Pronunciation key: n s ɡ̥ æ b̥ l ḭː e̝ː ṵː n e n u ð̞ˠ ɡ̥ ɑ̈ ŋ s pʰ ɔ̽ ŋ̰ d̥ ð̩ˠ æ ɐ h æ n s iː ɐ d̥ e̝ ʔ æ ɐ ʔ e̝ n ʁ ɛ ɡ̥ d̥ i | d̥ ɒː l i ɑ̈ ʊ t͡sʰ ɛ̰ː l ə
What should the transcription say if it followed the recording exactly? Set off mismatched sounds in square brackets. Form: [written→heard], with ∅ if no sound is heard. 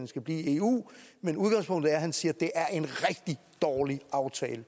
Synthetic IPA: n s ɡ̥ æ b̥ l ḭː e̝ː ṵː [n→m] e n u ð̞ˠ ɡ̥ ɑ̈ ŋ s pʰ ɔ̽ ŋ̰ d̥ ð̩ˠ æ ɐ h æ n s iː ɐ d̥ e̝ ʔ æ ɐ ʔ e̝ n ʁ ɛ ɡ̥ d̥ i | d̥ ɒː l i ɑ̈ ʊ t͡sʰ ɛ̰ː l ə